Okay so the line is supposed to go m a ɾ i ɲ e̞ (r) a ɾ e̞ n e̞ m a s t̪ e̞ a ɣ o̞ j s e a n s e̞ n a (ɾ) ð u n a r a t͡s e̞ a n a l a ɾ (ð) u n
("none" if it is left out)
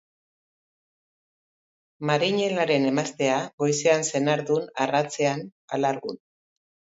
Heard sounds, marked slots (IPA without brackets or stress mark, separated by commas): l, ɾ, ɣ